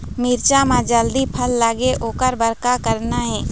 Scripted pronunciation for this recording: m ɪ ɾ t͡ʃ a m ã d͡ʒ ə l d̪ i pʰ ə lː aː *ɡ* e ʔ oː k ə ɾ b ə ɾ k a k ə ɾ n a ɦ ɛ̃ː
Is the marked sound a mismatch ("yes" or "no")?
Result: no